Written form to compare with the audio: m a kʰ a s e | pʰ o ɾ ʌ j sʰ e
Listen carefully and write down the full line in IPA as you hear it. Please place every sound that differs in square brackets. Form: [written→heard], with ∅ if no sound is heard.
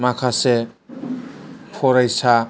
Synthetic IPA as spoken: m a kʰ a s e | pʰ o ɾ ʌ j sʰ [e→a]